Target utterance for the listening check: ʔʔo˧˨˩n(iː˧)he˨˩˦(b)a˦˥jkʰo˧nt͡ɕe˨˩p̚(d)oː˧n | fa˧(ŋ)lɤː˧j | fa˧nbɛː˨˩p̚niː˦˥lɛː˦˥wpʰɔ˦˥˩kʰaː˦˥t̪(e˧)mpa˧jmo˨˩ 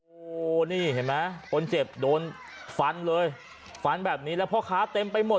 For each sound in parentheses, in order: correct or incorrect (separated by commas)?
incorrect, incorrect, correct, incorrect, correct